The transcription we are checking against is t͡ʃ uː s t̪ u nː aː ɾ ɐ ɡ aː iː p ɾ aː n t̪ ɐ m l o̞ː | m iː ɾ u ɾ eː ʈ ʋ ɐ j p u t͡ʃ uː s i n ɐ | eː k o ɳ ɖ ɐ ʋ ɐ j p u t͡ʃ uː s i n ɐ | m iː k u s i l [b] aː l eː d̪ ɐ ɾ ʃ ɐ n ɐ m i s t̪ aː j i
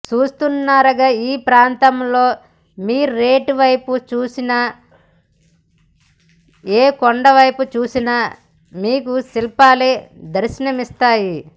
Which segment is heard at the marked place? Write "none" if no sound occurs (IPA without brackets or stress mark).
p